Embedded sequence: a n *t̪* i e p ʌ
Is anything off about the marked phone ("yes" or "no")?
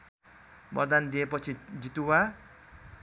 yes